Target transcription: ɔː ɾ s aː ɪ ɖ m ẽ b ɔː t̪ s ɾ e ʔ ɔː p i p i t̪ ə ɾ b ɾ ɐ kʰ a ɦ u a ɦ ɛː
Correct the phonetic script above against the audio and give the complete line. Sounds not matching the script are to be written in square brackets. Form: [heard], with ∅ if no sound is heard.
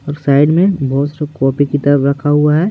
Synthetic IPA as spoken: ɔː ɾ s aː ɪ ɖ m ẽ b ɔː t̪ s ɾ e [k] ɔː p i [k] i t̪ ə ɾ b ɾ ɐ kʰ a ɦ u a ɦ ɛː

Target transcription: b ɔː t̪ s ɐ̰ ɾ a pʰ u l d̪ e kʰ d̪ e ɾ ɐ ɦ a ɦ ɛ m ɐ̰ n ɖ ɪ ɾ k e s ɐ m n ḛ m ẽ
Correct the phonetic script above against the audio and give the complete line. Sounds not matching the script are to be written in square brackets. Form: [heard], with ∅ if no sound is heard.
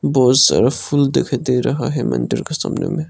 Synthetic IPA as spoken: b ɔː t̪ s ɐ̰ ɾ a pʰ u l d̪ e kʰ d̪ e ɾ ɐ ɦ a ɦ ɛ m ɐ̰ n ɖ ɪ ɾ k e s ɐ m n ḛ m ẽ

